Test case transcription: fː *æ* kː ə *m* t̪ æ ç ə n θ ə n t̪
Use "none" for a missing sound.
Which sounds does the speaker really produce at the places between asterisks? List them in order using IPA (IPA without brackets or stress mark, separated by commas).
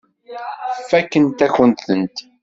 æ, n